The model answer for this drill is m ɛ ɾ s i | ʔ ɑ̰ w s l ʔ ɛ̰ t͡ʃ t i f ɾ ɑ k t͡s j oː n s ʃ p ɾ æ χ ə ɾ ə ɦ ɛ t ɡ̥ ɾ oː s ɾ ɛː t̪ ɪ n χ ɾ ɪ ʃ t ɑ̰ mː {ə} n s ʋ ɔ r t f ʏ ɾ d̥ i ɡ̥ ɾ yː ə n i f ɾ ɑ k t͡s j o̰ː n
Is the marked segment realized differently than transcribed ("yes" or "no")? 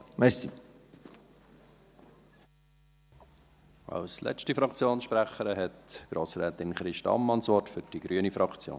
yes